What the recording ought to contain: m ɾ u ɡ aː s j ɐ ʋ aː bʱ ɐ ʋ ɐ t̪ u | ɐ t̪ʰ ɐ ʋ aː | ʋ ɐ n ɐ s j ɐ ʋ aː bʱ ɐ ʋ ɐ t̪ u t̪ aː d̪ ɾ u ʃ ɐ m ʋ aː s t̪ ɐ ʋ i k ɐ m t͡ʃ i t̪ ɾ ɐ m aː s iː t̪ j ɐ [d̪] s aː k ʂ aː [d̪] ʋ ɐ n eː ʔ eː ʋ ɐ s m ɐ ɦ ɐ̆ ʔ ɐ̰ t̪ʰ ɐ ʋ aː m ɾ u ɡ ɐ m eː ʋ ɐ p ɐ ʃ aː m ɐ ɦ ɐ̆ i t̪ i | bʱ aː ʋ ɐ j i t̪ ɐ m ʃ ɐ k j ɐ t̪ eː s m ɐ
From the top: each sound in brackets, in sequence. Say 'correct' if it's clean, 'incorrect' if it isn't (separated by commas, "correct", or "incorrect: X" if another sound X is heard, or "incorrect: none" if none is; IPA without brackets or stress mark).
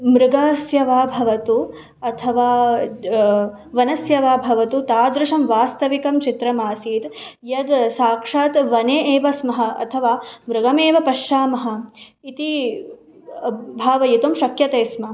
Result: correct, incorrect: t̪